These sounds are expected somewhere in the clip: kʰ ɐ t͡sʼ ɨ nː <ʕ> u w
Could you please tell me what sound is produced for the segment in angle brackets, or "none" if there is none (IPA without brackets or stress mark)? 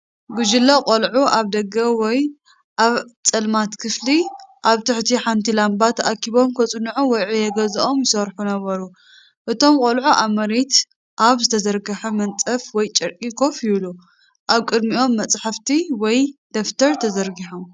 ʕ